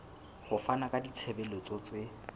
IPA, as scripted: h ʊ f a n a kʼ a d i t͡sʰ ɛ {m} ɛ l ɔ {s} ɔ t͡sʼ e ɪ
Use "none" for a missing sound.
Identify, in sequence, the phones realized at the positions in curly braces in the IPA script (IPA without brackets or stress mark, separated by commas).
b, t͡s